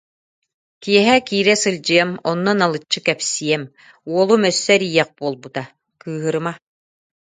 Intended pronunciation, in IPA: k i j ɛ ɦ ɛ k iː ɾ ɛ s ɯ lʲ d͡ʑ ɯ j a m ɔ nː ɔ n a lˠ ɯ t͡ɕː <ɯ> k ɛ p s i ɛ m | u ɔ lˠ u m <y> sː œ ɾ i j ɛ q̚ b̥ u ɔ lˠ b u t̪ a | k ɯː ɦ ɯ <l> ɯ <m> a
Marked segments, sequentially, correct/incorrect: correct, incorrect: œ, incorrect: ɾ, correct

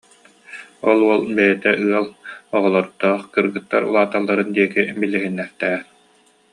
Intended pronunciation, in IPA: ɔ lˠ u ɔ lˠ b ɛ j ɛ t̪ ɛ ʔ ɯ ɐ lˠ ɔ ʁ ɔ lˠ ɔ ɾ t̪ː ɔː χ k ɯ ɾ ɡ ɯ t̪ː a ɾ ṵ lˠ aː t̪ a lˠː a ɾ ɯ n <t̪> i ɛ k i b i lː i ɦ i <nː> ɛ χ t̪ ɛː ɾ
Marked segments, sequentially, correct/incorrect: incorrect: d̪, correct

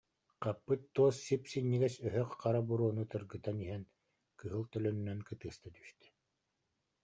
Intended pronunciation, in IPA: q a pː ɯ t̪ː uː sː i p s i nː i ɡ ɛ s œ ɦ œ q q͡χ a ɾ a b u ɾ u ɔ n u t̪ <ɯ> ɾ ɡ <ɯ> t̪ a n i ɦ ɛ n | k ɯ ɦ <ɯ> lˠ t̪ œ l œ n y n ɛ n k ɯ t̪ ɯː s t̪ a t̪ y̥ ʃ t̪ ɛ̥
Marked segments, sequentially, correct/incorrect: correct, correct, correct

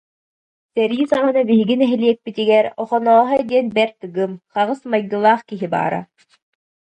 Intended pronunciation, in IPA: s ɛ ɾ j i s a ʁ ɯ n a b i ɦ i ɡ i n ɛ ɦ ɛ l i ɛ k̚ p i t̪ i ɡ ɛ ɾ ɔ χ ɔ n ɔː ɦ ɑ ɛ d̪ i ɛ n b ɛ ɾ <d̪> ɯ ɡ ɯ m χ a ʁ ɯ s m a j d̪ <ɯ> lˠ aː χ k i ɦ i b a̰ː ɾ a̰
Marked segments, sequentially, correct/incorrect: incorrect: t̪, correct

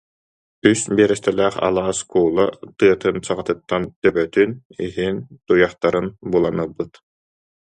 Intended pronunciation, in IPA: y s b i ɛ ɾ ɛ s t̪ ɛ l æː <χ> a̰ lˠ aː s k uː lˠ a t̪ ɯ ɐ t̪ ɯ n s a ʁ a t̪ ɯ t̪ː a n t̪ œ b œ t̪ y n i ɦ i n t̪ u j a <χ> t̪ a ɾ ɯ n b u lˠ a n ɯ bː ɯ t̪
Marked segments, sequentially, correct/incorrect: correct, correct

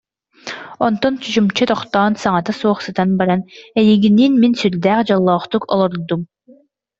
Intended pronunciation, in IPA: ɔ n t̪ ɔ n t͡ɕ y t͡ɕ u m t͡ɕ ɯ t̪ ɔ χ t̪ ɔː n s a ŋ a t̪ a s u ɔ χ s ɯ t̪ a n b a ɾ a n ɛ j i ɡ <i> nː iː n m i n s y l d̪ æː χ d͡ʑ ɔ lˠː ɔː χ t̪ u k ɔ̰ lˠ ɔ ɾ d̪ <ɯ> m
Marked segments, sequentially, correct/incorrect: correct, incorrect: u

